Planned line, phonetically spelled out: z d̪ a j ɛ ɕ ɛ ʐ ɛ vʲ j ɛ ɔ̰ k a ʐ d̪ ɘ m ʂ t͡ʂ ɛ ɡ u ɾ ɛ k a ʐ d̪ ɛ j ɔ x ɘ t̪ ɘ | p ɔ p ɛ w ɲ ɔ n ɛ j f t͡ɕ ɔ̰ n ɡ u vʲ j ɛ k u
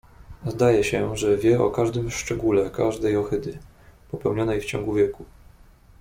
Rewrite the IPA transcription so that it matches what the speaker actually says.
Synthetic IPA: z d̪ a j ɛ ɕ ɛ ʐ ɛ vʲ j ɛ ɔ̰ k a ʐ d̪ ɘ m ʂ t͡ʂ ɛ ɡ u l ɛ k a ʐ d̪ ɛ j ɔ x ɘ d̪ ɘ | p ɔ p ɛ w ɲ ɔ n ɛ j f t͡ɕ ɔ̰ ŋ ɡ u vʲ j ɛ k u

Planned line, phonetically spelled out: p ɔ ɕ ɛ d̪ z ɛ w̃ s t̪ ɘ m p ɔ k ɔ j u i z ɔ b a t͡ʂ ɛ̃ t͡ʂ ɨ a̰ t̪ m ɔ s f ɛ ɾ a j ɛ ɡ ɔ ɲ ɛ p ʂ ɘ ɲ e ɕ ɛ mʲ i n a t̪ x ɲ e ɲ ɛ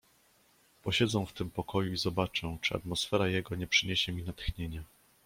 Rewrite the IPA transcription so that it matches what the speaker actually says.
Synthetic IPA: p ɔ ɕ ɛ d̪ z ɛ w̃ f t̪ ɘ m p ɔ k ɔ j u i z ɔ b a t͡ʂ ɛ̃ t͡ʂ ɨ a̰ t̪ m ɔ s f ɛ ɾ a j ɛ ɡ ɔ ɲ ɛ p ʂ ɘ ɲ e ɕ ɛ mʲ i n a t̪ x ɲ e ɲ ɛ

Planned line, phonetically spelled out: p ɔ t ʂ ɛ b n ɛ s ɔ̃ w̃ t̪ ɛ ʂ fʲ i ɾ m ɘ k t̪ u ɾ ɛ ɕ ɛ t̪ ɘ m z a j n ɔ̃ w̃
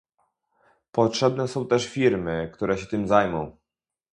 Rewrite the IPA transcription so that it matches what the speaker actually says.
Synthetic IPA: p ɔ t ʂ ɛ b n ɛ s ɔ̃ w̃ t̪ ɛ ʂ fʲ i ɾ m ɘ k t̪ u ɾ ɛ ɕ ɛ t̪ ɘ m z a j m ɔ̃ w̃

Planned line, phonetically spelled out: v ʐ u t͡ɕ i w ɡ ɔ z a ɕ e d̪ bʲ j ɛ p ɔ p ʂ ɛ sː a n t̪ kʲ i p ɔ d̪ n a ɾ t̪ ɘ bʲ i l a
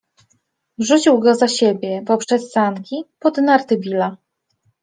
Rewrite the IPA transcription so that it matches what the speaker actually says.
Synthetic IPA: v ʐ u t͡ɕ i w ɡ ɔ z a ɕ e bʲ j ɛ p ɔ p ʂ ɛ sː a n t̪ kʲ i p ɔ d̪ n a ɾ t̪ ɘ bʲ i l a

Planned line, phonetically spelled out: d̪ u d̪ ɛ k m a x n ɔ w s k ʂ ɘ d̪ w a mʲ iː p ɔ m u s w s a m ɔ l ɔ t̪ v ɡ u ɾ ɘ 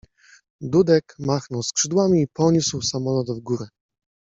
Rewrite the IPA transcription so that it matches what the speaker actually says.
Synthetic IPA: d̪ u d̪ ɛ k m a x n ɔ w s k ʂ ɘ d̪ w a mʲ iː p ɔ ɲ u s w s a m ɔ l ɔ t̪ v ɡ u ɾ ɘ

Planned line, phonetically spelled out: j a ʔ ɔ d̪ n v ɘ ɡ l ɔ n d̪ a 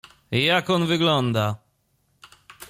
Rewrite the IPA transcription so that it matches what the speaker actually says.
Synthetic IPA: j a k ɔ n v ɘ ɡ l ɔ n d̪ a

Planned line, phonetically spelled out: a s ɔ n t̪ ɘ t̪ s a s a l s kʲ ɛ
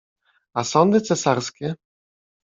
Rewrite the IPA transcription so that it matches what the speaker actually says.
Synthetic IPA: a s ɔ n d̪ ɘ t̪ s ɛ s a ɾ s kʲ ɛ

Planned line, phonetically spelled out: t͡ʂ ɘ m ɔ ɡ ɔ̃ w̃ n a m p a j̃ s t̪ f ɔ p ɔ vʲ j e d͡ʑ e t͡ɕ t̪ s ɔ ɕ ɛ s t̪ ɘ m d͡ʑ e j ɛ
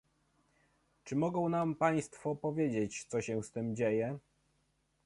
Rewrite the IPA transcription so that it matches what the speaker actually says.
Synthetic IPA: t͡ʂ ɘ m ɔ ɡ ɔ̃ w̃ n a m p a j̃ s t̪ f ɔ p ɔ vʲ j e d͡ʑ e t͡ɕ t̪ s ɔ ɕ ɛ s t̪ ɘ m d͡ʑ e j ɛ

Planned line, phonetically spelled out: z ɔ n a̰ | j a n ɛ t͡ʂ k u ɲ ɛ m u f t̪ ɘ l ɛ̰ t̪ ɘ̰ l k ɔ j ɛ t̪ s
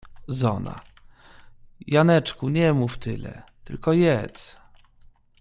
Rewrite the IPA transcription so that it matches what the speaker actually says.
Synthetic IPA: z ɔ n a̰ | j a n ɛ t͡ʂ k u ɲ ɛ m u f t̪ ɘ l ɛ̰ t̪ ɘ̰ l k ɔ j ɛ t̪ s

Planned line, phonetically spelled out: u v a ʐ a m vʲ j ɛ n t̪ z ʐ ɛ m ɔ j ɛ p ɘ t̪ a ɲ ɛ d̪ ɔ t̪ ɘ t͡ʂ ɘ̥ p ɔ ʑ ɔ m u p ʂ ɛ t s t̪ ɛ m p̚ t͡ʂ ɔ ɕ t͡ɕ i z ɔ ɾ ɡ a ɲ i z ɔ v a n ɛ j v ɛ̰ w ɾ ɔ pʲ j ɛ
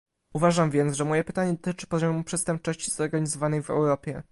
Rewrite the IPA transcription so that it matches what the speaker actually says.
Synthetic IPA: u v a ʐ a m vʲ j ɛ n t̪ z ʐ ɛ m ɔ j ɛ p ɘ t̪ a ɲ ɛ d̪ ɔ t̪ ɘ t͡ʂ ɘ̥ p ɔ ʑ ɔ m u p ʂ ɛ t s t̪ ɛ m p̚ t͡ʂ ɔ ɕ t͡ɕ i z ɔ ɾ ɡ a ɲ i z ɔ v a n ɛ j v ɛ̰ w ɾ ɔ pʲ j ɛ

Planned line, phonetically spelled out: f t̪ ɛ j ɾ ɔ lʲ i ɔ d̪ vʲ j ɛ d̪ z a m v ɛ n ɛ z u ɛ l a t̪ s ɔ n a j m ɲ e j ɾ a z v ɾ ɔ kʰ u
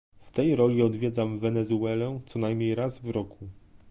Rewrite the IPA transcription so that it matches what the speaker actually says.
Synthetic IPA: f t̪ ɛ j ɾ ɔ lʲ i ɔ d̪ vʲ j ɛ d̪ z a m v ɛ n ɛ z u ɛ l ɛ t̪ s ɔ n a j m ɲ e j ɾ a z v ɾ ɔ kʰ u

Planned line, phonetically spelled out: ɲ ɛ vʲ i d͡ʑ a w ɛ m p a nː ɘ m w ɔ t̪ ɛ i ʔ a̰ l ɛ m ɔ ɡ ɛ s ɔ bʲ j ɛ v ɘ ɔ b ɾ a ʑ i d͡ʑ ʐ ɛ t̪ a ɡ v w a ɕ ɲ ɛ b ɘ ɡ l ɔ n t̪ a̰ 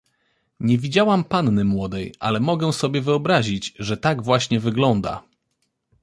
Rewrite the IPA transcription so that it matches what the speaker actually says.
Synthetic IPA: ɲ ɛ vʲ i d͡ʑ a w a m p a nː ɘ m w ɔ d̪ ɛ j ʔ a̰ l ɛ m ɔ ɡ ɛ s ɔ bʲ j ɛ v ɘ ɔ b ɾ a ʑ i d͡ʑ ʐ ɛ t̪ a ɡ v w a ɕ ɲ ɛ v ɘ ɡ l ɔ n d̪ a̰

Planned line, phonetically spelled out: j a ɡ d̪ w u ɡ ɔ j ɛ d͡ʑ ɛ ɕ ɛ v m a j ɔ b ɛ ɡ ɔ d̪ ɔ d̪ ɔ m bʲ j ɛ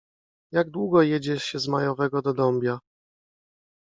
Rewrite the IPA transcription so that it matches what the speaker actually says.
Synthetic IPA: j a ɡ d̪ w u ɡ ɔ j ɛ d͡ʑ ɛ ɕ ɛ z m a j ɔ v ɛ ɡ ɔ d̪ ɔ d̪ ɔ m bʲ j a

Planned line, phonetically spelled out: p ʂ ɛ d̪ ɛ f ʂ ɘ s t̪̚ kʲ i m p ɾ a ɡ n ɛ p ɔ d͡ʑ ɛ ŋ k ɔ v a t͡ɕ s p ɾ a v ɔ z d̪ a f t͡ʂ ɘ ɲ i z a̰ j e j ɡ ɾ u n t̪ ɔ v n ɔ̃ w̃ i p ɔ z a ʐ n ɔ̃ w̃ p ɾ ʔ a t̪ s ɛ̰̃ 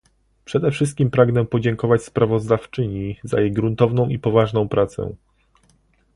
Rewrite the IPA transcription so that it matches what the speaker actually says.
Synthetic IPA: p ʂ ɛ d̪ ɛ f ʂ ɘ s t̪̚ kʲ i m p ɾ a ɡ n ɛ p ɔ d͡ʑ ɛ ŋ k ɔ v a t͡ɕ s p ɾ a v ɔ z d̪ a f t͡ʂ ɘ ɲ i z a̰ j e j ɡ ɾ u n t̪ ɔ v n ɔ̃ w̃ i p ɔ v a ʐ n ɔ̃ w̃ p ɾ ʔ a t̪ s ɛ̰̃

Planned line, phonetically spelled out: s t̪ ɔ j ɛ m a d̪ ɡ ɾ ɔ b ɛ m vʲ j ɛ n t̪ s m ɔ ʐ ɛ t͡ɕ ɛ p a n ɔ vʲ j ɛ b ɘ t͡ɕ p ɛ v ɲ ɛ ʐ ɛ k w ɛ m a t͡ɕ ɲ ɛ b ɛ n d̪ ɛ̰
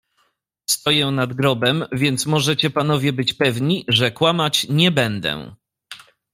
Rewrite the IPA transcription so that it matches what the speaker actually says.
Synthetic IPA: s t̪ ɔ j ɛ n a d̪ ɡ ɾ ɔ b ɛ m vʲ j ɛ n t̪ s m ɔ ʐ ɛ t͡ɕ ɛ p a n ɔ vʲ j ɛ b ɘ t͡ɕ p ɛ v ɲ i ʐ ɛ k w a m a t͡ɕ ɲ ɛ b ɛ n d̪ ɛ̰

